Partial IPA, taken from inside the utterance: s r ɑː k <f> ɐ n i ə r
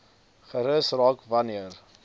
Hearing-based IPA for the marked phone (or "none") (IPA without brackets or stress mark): v